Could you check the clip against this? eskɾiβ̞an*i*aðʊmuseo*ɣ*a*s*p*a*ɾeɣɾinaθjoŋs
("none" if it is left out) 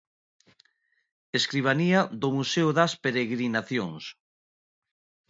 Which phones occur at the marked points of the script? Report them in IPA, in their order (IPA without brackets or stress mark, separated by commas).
i, ð, s, e